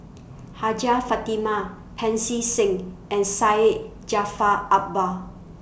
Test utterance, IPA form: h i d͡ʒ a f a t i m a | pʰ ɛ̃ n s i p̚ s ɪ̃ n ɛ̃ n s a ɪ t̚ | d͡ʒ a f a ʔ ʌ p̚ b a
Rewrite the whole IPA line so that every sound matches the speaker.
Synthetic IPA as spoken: h a d͡ʒ a f a t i m a | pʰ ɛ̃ n s i s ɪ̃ ŋ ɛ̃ n s a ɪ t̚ | d͡ʒ a f a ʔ a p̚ b a